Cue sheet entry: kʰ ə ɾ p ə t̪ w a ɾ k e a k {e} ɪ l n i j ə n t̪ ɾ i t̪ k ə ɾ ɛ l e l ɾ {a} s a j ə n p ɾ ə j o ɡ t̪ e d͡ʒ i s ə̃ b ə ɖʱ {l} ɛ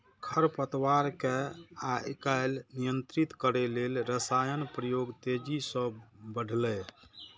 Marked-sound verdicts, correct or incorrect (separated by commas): incorrect, incorrect, correct